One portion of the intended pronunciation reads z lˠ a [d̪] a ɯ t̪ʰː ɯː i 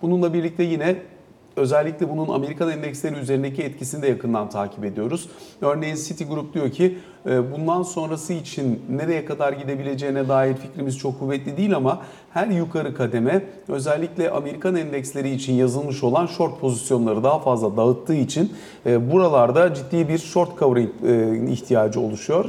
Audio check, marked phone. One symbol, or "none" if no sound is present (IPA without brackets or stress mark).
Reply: d̪